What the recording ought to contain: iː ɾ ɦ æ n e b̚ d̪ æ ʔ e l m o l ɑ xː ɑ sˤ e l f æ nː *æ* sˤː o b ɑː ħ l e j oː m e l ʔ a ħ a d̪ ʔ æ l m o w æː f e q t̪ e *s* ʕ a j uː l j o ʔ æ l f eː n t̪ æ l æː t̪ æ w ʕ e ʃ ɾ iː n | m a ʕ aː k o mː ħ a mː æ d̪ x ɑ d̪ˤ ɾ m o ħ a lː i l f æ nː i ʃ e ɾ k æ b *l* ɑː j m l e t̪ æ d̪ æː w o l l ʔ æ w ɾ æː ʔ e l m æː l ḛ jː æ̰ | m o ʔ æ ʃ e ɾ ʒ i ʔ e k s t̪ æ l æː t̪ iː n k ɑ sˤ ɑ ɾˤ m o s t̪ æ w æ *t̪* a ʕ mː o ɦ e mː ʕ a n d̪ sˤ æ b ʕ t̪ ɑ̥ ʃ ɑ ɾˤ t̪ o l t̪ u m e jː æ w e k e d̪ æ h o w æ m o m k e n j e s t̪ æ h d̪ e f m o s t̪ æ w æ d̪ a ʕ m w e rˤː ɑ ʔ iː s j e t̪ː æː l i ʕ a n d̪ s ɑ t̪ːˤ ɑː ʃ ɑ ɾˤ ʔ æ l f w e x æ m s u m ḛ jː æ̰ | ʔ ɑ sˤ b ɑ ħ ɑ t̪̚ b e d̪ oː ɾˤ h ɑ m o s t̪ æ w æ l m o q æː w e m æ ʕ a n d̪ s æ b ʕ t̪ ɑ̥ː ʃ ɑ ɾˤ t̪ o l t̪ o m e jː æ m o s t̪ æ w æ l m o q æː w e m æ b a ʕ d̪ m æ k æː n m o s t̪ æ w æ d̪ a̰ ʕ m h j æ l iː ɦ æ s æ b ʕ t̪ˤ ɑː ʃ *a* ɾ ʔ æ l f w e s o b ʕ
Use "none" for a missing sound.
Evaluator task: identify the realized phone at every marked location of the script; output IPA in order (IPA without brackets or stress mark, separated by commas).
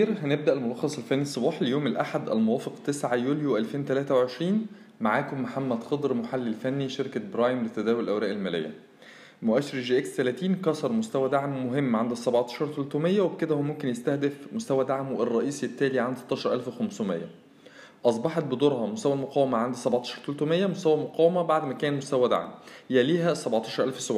i, s, ɾ, d̪, ɑ